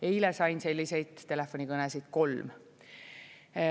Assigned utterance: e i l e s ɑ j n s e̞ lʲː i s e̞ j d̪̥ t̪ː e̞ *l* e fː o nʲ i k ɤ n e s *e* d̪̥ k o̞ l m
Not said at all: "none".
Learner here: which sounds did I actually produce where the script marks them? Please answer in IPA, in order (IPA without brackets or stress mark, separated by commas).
l, i